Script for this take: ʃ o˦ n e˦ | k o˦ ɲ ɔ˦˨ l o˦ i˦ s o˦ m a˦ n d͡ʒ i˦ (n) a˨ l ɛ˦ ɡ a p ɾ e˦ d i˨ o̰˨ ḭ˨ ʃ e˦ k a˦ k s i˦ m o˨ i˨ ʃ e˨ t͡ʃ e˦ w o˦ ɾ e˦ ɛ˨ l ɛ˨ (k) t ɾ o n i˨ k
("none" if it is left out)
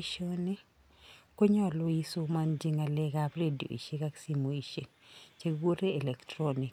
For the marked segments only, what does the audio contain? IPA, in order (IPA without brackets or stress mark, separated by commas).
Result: ŋ, k